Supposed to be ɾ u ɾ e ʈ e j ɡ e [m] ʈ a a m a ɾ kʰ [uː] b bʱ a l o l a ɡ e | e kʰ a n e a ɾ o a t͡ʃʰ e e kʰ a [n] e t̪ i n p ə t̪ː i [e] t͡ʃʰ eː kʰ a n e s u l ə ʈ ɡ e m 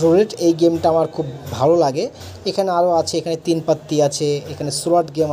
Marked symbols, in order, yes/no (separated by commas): yes, no, yes, no